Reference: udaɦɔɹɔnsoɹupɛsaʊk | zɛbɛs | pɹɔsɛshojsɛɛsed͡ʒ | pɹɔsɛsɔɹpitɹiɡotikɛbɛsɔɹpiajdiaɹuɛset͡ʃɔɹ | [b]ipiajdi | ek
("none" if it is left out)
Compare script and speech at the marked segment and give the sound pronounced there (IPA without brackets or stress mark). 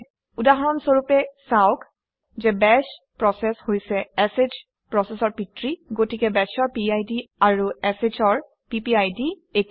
p